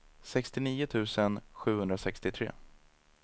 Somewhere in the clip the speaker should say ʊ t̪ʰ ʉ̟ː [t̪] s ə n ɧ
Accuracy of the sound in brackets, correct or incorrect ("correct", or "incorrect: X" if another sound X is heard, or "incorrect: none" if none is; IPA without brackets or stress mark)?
incorrect: none